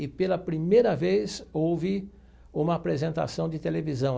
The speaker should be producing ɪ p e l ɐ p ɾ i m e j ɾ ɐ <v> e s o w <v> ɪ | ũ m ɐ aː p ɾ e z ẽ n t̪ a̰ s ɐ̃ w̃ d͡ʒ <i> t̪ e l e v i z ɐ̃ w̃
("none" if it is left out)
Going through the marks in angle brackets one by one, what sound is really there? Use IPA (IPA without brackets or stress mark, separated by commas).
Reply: v, v, ɪ